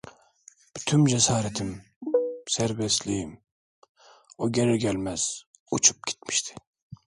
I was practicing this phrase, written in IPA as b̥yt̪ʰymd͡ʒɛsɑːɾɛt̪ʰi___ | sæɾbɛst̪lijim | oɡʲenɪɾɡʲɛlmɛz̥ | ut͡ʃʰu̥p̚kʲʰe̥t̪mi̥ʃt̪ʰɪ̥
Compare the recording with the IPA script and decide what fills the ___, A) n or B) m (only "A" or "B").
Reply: B